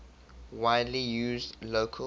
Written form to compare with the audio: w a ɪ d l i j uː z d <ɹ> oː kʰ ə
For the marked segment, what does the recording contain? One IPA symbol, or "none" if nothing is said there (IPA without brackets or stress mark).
l